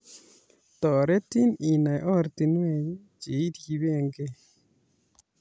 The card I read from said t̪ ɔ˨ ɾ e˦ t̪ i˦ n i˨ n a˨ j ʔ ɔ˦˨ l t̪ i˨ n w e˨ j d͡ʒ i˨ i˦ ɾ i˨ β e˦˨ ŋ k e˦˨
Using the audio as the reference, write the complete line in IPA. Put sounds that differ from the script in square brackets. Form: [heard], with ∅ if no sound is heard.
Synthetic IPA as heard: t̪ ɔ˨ ɾ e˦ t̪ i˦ n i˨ n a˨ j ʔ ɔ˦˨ [ɾ] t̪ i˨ n w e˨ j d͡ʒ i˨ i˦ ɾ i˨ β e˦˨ ŋ [ɡ] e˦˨